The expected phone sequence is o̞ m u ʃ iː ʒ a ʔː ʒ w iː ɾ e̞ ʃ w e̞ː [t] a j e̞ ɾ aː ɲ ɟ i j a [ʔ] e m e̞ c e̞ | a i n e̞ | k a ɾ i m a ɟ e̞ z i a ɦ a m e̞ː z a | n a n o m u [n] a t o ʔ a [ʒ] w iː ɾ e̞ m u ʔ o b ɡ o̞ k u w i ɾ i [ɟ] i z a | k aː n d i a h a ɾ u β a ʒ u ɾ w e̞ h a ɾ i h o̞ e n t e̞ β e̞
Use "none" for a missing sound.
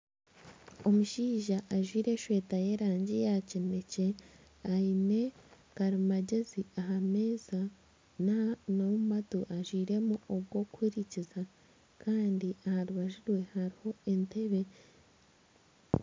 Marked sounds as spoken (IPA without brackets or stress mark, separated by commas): t, c, m, ʒ, c